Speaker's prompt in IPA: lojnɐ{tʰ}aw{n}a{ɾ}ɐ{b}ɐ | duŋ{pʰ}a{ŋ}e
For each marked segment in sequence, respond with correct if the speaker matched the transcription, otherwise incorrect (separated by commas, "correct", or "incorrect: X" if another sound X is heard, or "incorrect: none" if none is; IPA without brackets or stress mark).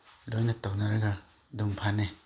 incorrect: t, correct, correct, incorrect: ɡ, correct, incorrect: n